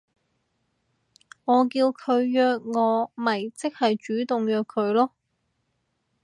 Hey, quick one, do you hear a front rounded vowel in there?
yes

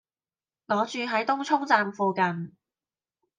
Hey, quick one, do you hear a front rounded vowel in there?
yes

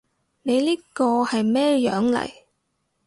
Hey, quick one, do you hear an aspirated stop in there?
no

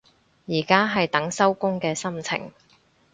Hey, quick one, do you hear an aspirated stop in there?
yes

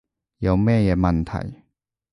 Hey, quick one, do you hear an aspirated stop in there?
yes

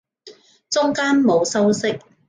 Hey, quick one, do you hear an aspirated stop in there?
no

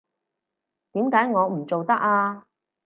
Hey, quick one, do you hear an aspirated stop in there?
no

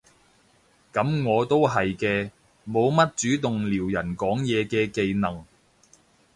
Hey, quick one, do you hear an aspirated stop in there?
no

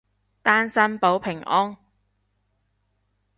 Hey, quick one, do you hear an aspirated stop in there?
yes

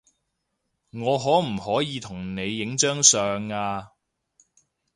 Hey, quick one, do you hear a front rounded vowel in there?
yes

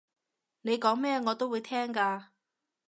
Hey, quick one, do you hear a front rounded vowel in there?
no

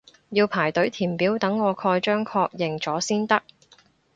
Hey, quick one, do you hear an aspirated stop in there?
yes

